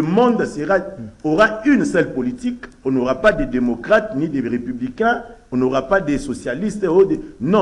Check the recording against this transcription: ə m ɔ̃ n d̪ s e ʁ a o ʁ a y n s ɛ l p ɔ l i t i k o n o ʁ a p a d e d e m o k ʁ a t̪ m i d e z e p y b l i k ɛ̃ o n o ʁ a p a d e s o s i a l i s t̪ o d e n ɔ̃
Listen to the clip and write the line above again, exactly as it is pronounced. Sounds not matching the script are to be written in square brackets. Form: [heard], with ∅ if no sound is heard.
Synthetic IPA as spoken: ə m ɔ̃ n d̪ s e ʁ a o ʁ a y n s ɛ l p [o] l i t i k o n o ʁ a p a d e d e m o k ʁ a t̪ [n] i d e [ʁ] e p y b l i k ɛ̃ o n o ʁ a p a d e s o s [j] a l i s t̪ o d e n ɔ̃